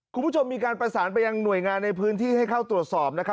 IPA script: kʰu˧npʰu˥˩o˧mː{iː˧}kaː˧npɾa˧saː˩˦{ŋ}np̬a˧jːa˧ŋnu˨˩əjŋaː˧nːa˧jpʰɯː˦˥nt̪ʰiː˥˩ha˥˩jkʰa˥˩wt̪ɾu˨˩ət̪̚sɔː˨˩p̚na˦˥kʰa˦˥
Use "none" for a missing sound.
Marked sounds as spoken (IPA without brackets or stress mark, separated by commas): iː˧, none